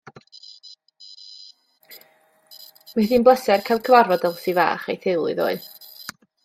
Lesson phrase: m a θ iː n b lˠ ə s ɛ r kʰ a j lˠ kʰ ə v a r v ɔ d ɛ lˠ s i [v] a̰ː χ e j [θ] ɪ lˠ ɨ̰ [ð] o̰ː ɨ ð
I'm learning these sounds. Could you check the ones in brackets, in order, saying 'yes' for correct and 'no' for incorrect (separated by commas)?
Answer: yes, yes, yes